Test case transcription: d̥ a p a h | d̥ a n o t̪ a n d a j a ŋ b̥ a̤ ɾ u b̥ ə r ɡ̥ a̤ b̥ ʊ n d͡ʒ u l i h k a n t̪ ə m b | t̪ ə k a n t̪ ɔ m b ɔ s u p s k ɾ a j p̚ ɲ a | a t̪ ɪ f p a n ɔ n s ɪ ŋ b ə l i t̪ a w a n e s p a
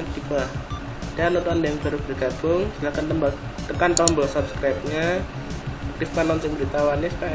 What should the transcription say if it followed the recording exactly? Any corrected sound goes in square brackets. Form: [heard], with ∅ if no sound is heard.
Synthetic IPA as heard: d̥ [i] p a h | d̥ a n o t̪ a n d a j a ŋ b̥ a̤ ɾ u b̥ ə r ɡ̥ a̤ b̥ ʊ [ŋ] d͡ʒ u l [a] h k a n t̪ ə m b | t̪ ə k a n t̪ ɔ m b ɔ s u p s k ɾ a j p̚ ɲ a | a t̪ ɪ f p a n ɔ n s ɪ ŋ b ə [ɾ] i t̪ a w a n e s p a